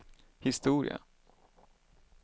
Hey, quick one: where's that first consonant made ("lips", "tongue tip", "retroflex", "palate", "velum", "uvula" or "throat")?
throat